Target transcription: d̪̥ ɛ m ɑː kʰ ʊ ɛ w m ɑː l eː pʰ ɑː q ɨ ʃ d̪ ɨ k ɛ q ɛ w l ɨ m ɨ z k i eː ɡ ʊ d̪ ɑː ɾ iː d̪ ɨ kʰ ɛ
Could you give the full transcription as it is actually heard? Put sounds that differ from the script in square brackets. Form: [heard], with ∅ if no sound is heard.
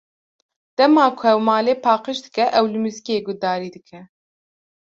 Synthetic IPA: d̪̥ ɛ m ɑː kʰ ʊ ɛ w m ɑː l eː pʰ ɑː q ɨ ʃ d̪ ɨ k ɛ [ʔ] ɛ w l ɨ m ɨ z k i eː ɡ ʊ d̪ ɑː ɾ iː d̪ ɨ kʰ ɛ

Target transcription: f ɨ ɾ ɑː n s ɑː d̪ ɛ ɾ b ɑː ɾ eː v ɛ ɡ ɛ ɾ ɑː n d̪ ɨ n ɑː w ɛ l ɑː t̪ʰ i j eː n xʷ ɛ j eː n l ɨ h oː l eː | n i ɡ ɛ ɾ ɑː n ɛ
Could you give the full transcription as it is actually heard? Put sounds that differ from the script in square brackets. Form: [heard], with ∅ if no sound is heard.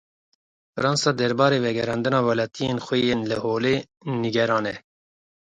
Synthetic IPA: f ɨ ɾ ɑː n s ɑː d̪ ɛ ɾ b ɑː ɾ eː v ɛ ɡ ɛ ɾ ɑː n d̪ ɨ n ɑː w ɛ l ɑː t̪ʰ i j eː n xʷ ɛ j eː n l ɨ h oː l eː | n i ɡ ɛ ɾ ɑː n ɛ

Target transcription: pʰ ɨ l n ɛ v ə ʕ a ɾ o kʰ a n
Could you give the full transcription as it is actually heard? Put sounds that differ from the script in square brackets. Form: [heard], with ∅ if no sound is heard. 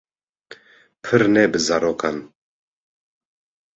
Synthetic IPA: pʰ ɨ [ɾ] n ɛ [b] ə [z] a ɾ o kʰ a n

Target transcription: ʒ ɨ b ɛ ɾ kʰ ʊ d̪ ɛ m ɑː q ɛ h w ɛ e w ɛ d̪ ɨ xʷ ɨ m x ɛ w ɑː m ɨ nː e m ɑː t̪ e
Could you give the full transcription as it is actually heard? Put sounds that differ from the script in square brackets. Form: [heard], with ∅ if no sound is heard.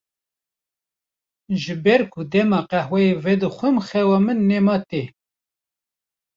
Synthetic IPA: ʒ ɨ b ɛ ɾ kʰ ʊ d̪ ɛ m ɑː q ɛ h w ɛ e [v] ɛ d̪ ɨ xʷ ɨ m x ɛ w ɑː m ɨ nː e m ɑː t̪ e

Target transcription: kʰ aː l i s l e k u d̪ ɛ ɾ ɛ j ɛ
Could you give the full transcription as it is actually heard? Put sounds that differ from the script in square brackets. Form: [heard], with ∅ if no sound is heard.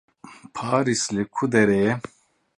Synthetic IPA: [pʰ] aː [ɾ] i s l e [kʰ] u d̪ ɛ ɾ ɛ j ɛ

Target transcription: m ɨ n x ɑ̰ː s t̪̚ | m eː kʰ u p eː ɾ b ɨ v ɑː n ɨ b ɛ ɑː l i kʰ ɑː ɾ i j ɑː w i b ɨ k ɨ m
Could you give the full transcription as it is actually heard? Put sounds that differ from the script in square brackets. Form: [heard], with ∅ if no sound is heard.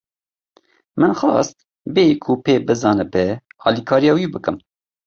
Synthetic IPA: m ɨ n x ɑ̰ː s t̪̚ | [b] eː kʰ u p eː [∅] b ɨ [z] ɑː n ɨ b ɛ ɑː l i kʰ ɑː ɾ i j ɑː w i b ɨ k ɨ m

